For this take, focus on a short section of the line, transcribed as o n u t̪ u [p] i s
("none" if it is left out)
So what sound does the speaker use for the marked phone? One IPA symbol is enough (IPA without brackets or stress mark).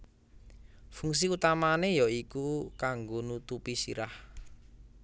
p